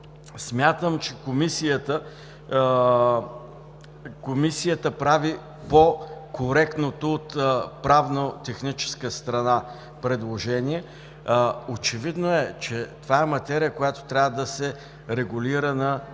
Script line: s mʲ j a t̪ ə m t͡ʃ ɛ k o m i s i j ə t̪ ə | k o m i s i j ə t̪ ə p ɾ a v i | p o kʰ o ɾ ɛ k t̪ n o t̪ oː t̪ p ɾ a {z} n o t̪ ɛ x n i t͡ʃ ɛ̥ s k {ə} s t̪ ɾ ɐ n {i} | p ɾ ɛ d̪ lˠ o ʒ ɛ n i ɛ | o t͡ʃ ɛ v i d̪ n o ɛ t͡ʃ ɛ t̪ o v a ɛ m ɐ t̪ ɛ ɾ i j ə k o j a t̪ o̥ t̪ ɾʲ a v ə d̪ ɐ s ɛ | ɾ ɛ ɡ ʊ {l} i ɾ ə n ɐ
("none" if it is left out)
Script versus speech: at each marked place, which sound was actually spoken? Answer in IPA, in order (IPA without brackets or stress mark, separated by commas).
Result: v, ə, a, l